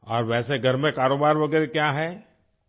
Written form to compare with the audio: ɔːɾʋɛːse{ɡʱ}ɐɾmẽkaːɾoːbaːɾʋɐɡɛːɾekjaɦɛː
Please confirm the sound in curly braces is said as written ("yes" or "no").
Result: yes